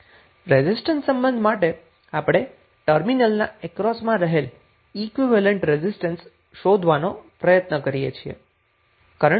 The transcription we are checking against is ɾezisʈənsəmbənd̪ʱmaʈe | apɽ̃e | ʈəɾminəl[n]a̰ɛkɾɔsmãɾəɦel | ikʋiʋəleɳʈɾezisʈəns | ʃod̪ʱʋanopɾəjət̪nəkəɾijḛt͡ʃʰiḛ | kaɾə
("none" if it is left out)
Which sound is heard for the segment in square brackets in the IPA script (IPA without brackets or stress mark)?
n